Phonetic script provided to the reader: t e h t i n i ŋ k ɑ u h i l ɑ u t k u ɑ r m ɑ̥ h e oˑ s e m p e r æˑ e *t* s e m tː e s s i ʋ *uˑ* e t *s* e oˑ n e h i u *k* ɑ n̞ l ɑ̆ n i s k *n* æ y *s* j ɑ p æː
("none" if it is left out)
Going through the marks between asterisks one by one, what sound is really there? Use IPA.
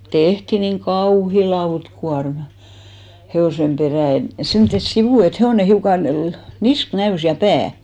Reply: t, uˑ, h, k, n, s

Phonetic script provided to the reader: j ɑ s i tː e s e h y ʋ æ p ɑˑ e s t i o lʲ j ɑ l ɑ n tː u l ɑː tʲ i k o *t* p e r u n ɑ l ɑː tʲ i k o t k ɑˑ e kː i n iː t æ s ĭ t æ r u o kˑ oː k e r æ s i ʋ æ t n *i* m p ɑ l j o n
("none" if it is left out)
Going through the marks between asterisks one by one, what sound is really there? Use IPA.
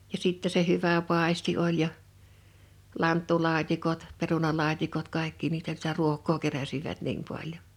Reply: t, iː

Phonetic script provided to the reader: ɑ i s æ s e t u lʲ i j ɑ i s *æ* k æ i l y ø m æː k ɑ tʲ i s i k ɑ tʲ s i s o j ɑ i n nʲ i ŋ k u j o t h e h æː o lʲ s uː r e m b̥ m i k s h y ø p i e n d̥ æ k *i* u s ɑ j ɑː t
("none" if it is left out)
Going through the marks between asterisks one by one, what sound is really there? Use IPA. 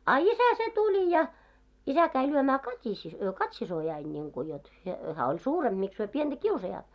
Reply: æ, i

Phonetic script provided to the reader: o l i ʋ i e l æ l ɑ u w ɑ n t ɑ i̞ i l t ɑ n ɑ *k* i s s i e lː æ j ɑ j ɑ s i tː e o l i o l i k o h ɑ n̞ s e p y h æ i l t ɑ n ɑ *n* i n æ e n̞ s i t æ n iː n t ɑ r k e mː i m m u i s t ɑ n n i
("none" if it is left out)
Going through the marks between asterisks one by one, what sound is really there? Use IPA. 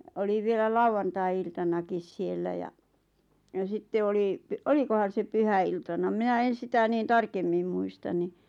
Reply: k, m

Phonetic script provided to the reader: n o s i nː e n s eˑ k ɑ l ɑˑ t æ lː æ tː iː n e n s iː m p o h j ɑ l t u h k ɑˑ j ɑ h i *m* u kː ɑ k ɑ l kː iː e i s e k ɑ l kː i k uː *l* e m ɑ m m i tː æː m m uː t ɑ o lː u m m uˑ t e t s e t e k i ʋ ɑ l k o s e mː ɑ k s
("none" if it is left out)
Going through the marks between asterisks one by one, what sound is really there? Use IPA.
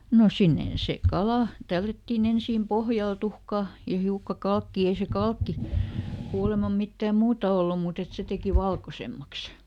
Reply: none, l

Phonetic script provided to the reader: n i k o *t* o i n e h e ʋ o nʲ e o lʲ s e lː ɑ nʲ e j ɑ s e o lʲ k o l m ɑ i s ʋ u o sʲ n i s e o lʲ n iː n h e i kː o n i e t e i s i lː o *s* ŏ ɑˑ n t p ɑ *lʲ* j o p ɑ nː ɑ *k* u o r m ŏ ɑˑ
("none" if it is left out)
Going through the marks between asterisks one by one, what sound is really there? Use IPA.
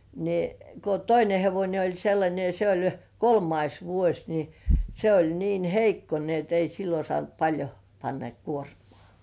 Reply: t, s, lʲ, k

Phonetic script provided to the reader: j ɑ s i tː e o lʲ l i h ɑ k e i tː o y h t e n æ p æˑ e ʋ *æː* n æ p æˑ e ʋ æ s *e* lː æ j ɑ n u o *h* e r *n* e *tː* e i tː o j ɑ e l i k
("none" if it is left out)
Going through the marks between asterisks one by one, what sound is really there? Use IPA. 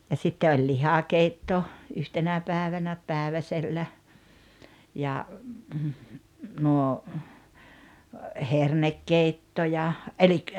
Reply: æ, e, h, n, kː

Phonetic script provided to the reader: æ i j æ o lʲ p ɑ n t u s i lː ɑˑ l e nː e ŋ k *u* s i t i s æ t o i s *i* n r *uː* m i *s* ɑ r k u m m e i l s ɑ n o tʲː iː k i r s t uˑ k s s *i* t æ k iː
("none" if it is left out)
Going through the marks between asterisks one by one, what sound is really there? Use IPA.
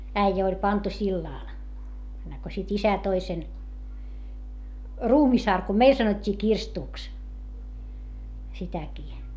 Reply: o, e, uː, s, i

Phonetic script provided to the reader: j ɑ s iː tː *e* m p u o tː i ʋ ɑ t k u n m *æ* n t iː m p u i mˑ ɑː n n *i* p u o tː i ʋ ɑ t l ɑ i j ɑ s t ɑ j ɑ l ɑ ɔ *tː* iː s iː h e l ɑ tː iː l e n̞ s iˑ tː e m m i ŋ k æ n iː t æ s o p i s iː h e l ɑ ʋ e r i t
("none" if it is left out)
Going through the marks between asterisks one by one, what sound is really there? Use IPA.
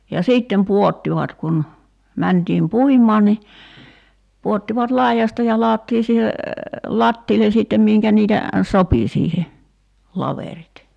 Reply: e, æ, i, tː

